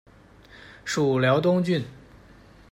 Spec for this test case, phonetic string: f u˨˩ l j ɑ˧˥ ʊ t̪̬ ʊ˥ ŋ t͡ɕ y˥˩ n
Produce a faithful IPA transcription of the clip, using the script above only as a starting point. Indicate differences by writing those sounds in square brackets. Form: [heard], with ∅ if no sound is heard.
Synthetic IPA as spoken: [ʂ] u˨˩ l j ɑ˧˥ ʊ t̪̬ ʊ˥ ŋ t͡ɕ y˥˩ n